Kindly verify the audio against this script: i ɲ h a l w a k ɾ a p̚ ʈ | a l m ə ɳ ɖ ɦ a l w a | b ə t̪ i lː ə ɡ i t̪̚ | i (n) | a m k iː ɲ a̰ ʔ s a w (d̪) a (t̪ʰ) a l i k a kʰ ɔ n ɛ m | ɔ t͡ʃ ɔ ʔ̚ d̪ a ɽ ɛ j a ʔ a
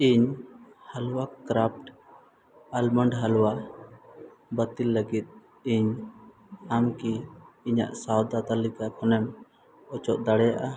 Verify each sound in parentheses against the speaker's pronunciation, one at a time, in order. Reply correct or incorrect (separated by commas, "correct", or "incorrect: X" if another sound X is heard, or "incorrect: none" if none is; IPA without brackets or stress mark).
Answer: incorrect: ɲ, correct, incorrect: t̪